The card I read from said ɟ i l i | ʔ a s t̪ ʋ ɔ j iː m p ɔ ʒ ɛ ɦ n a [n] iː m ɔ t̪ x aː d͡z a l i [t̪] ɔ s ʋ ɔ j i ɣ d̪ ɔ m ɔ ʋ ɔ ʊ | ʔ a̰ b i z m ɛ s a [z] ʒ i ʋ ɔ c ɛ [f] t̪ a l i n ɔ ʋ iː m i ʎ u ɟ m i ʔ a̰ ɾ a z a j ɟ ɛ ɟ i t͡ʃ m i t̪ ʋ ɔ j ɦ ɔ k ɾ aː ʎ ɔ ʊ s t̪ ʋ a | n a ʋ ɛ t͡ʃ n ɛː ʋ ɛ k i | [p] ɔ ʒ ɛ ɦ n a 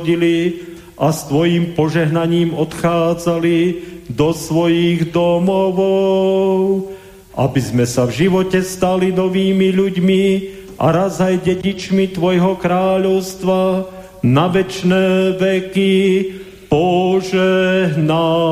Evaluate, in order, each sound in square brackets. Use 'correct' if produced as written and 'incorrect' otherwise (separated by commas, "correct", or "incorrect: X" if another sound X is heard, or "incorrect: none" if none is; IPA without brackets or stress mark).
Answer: incorrect: ɲ, incorrect: d̪, incorrect: v, incorrect: s, correct